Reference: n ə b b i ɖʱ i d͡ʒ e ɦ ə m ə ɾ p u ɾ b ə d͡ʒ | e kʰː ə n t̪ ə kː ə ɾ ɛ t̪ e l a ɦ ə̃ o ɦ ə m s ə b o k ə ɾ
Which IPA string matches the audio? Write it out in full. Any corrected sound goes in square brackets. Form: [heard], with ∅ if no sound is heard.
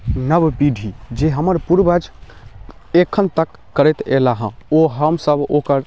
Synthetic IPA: n ə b b i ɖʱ i d͡ʒ e ɦ ə m ə ɾ p u ɾ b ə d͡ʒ | e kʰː ə n t̪ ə kː ə ɾ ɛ t̪ e l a ɦ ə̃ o ɦ ə m s ə b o k ə ɾ